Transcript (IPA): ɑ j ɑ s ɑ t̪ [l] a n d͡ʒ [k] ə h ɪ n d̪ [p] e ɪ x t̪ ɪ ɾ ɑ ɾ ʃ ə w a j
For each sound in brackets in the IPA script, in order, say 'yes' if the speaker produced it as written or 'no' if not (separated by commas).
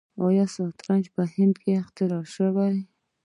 no, no, no